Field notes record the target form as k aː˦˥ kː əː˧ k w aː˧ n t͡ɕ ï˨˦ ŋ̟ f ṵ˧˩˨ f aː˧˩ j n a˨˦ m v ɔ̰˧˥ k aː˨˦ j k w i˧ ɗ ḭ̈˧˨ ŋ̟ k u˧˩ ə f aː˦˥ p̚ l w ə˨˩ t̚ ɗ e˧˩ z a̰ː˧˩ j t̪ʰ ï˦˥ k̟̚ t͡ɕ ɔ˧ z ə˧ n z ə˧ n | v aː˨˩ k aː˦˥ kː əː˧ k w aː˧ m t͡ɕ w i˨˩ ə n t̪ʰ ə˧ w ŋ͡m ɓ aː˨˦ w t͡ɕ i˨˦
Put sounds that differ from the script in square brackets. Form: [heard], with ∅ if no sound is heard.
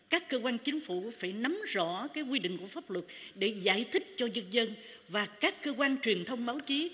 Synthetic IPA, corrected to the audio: k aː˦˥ kː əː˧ k w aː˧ n t͡ɕ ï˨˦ ŋ̟ f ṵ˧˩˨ f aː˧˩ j n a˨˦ m [z] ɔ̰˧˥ k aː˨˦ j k w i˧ ɗ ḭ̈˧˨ ŋ̟ k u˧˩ ə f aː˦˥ p̚ l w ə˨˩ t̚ ɗ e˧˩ z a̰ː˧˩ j t̪ʰ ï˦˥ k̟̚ t͡ɕ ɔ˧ z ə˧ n z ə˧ n | v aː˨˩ k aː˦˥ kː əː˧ k w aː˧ [n] t͡ɕ w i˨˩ ə n t̪ʰ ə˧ w ŋ͡m ɓ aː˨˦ w t͡ɕ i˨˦